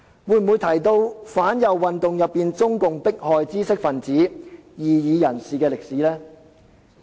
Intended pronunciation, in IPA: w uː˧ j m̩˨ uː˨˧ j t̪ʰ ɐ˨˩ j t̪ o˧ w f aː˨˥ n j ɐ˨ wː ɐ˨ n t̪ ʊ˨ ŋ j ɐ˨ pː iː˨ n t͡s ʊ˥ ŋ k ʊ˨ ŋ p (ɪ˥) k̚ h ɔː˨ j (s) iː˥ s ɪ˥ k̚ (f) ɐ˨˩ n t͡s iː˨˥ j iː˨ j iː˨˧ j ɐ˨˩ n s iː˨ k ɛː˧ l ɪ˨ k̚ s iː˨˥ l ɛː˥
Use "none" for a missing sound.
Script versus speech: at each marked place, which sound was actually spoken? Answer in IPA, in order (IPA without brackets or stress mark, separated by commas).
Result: ɪ˥, t͡s, f